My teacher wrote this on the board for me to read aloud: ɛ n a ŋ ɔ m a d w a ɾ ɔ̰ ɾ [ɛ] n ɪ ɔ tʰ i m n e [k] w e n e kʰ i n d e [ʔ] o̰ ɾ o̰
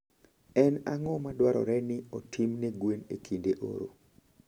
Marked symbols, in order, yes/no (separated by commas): yes, no, yes